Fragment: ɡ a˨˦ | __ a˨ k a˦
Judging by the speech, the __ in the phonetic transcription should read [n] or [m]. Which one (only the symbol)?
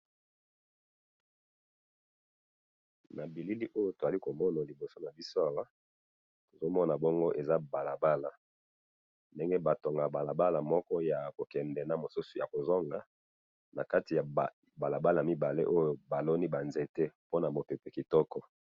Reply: n